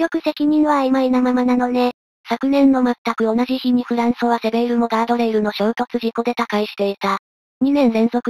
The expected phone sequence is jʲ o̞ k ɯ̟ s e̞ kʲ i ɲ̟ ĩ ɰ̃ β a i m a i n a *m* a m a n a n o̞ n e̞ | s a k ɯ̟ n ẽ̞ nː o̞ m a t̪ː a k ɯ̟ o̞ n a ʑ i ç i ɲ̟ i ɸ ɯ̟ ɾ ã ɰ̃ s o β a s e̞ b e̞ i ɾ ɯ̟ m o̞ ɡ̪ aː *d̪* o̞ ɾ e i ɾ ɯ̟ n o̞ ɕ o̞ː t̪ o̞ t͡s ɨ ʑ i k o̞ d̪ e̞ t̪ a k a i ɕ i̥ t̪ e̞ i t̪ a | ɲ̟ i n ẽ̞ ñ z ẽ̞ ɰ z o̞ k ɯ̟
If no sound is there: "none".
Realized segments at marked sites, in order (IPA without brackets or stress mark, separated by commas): m, d̪